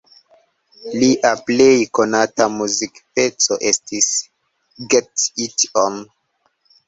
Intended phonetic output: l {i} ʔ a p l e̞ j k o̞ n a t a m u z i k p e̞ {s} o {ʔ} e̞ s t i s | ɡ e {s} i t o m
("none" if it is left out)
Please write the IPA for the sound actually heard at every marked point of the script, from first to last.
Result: i, t͡s, ʔ, t

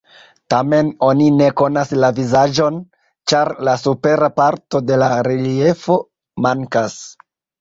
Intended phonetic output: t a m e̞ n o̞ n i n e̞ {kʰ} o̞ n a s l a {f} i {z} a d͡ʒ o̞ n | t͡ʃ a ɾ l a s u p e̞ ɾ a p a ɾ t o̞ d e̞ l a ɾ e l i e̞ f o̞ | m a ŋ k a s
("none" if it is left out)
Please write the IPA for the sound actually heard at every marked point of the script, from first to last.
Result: k, v, z

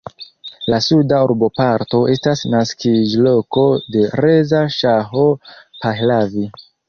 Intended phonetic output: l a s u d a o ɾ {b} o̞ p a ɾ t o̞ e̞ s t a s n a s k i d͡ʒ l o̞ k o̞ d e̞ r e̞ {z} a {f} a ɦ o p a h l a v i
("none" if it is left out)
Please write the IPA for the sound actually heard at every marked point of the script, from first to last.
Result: b, z, ʃ

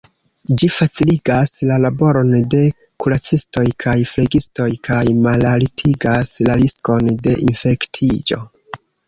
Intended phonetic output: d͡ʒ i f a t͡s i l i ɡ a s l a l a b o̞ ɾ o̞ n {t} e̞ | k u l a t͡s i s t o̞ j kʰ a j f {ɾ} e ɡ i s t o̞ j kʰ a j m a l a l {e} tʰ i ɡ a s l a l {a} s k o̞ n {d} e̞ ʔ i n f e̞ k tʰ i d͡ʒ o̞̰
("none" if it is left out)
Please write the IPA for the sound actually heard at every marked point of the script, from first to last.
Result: d, l, i, i, d

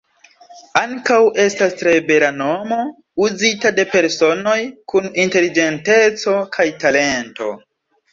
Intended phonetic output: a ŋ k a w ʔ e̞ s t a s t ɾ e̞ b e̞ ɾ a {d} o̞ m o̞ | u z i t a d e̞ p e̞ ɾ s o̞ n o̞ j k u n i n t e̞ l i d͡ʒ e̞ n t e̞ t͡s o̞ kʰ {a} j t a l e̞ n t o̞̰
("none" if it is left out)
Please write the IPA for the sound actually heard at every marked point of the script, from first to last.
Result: n, a

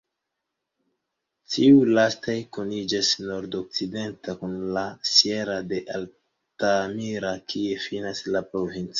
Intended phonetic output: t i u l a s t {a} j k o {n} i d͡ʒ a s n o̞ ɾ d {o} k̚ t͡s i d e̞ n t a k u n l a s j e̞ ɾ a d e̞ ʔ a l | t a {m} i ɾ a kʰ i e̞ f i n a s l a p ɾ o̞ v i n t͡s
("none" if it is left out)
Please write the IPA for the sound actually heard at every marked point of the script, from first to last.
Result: a, n, o, m

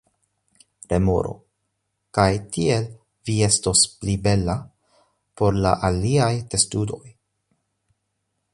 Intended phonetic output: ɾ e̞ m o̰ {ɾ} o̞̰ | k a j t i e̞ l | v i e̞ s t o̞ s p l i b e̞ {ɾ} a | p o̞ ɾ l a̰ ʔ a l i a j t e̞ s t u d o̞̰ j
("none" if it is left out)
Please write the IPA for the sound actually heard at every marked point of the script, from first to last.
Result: ɾ, l

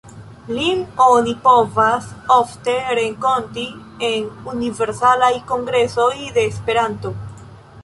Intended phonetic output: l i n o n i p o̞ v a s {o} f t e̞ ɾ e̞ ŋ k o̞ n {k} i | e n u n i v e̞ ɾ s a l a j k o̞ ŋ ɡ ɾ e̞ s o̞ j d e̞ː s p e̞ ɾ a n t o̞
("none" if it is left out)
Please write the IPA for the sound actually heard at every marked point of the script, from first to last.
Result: o, t

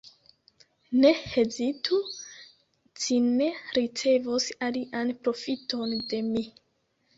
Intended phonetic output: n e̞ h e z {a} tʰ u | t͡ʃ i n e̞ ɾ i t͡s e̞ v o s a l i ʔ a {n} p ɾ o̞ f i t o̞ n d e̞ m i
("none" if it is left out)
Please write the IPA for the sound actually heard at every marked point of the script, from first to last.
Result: i, n

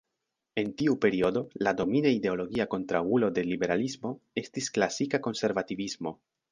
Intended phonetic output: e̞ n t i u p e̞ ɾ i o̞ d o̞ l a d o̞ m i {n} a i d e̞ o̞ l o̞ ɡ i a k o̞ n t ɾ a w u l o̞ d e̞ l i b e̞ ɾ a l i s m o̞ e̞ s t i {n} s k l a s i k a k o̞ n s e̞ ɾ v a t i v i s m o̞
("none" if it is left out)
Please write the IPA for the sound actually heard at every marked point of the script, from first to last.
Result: n, none

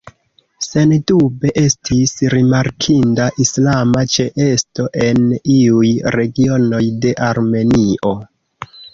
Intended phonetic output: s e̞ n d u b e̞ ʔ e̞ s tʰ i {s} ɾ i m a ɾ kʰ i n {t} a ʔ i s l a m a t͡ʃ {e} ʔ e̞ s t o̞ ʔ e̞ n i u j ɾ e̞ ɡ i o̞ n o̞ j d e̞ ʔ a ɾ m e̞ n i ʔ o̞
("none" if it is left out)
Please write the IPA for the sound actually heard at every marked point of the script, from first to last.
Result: s, d, e

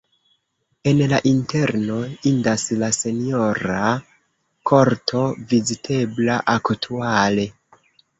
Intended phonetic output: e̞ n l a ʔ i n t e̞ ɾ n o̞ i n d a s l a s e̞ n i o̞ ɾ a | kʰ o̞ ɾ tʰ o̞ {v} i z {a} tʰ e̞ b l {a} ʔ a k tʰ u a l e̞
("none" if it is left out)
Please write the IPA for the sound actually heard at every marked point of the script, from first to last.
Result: v, i, a

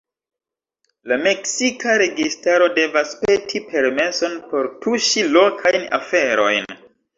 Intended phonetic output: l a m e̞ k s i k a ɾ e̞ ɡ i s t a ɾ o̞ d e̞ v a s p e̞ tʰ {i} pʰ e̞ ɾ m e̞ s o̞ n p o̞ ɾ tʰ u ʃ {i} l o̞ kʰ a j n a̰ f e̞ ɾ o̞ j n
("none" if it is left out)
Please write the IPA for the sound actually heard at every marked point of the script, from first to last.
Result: i, i

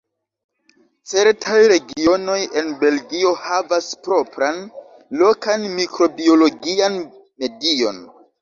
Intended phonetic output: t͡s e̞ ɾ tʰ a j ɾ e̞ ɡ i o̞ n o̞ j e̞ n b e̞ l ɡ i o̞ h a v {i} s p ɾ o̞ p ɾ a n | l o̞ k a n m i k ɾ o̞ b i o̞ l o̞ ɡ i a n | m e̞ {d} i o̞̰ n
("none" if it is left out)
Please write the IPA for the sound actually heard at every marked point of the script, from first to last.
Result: a, d

